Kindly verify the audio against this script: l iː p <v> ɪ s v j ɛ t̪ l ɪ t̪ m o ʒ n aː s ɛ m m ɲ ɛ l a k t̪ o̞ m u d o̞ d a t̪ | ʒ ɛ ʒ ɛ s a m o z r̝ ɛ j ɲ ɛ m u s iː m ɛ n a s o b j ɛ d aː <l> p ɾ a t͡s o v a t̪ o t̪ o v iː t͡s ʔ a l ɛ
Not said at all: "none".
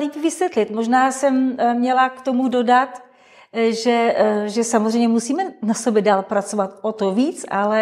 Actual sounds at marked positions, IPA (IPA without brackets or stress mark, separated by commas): v, l